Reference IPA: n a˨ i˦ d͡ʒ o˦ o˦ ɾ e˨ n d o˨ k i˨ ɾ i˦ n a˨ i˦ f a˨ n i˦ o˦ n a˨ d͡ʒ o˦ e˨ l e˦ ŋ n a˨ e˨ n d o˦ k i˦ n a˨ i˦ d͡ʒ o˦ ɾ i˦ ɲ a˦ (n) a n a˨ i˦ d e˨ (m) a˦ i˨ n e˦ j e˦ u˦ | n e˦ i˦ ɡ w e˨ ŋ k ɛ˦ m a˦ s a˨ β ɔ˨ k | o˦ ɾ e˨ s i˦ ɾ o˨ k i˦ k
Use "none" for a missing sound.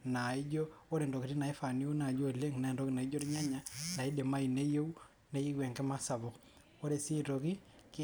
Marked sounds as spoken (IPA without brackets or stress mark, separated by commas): ɲ, m